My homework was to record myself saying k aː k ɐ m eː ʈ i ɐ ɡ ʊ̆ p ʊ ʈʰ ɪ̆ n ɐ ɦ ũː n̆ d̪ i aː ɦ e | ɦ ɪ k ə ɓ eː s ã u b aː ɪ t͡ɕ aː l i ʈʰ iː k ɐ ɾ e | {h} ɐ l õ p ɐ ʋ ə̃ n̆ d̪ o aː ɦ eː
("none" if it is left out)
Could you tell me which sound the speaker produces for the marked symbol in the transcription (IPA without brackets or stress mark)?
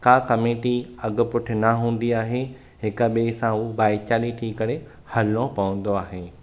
h